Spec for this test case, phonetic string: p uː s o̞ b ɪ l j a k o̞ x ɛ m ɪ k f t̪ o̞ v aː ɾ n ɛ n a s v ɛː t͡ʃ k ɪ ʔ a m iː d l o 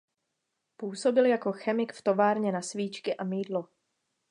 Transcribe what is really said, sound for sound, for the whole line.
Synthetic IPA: p uː s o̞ b ɪ l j a k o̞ x ɛ m ɪ k f t̪ o̞ v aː ɾ ɲ ɛ n a s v iː t͡ʃ k ɪ ʔ a m iː d l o